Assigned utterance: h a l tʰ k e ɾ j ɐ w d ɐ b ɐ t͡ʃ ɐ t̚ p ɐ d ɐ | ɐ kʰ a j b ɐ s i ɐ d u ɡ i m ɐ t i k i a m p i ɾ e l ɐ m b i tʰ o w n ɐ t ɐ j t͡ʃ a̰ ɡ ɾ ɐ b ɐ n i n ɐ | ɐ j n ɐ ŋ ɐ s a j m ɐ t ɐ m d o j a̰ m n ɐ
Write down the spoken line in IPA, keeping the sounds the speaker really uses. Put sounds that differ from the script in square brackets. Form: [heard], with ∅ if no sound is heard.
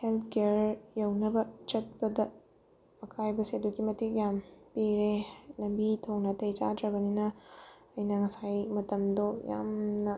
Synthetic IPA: h [e] l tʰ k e ɾ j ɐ w [n] ɐ b ɐ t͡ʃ ɐ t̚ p ɐ d ɐ | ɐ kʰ a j b ɐ s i ɐ d u ɡ i m ɐ t i k [j] a m p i ɾ e l ɐ m b i tʰ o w n ɐ t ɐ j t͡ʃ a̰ [d] ɾ ɐ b ɐ n i n ɐ | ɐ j n ɐ ŋ ɐ s a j m ɐ t ɐ m d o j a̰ m n ɐ

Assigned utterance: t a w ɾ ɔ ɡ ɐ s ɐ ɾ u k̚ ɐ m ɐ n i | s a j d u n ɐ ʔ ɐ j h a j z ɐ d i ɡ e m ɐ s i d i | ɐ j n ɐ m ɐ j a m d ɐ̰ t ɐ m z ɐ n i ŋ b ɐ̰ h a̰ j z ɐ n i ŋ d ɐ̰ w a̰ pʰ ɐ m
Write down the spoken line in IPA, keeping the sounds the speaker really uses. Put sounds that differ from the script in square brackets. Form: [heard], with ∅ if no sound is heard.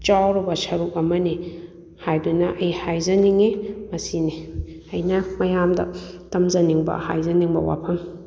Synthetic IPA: [t͡ʃ] a w ɾ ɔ [b] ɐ s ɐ ɾ u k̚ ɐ m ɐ n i | [h] a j d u n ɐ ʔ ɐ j h a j z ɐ [n] i [ŋ] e m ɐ s i [n] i | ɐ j n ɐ m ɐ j a m d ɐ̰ t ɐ m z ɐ n i ŋ b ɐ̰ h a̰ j z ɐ n i ŋ [b] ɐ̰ w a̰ pʰ ɐ m

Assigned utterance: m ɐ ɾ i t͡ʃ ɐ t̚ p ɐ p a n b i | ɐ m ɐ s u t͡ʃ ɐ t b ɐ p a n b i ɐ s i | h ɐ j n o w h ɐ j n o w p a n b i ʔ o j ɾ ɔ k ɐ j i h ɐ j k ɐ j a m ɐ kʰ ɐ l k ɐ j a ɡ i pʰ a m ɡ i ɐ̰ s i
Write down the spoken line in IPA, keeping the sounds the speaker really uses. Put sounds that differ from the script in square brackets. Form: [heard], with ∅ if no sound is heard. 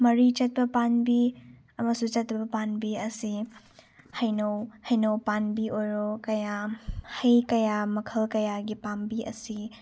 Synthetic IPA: m ɐ ɾ i t͡ʃ ɐ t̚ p ɐ p a n b i | ɐ m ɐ s u t͡ʃ ɐ t b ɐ p a n b i ɐ s i | h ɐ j n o w h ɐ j n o w p a n b i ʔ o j ɾ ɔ k ɐ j [a] h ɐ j k ɐ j a m ɐ kʰ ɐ l k ɐ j a ɡ i [p] a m [b] i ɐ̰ s i

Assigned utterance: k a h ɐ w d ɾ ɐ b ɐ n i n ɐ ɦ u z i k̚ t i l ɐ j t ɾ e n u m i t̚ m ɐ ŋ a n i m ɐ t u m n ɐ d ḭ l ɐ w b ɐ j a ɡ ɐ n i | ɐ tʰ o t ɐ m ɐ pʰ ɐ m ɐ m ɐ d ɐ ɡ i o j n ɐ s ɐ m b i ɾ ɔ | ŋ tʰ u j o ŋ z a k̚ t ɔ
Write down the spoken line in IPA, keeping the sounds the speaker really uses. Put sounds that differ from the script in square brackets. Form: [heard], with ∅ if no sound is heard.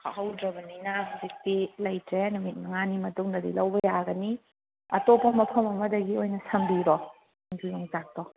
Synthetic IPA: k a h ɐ w d ɾ ɐ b ɐ n i n ɐ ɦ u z i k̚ t i l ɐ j t ɾ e n u m i t̚ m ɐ ŋ a n i m ɐ t u [ŋ] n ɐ d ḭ l ɐ w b ɐ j a ɡ ɐ n i | ɐ [t] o [p] ɐ m ɐ pʰ ɐ m ɐ m ɐ d ɐ ɡ i o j n ɐ s ɐ m b i ɾ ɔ | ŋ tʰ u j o ŋ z a k̚ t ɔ

